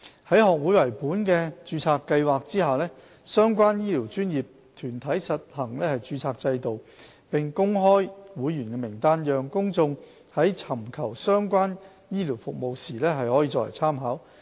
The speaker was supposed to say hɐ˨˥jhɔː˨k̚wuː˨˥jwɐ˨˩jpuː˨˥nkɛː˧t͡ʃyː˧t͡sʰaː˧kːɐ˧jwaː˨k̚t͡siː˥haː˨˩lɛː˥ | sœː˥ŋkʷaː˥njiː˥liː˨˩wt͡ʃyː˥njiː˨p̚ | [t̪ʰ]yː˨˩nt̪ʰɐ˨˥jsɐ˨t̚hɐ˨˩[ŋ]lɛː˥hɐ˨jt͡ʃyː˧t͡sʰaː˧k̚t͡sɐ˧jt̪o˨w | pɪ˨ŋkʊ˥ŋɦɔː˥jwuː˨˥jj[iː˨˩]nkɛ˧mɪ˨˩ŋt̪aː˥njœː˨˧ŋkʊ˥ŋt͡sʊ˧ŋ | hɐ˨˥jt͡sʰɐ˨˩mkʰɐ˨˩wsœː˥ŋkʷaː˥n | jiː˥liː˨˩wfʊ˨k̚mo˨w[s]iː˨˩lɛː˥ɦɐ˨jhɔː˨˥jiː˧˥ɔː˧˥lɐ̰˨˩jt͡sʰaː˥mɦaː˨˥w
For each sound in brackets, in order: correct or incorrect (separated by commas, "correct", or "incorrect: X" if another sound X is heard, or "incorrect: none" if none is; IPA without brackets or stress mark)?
correct, correct, incorrect: yː˨˩, correct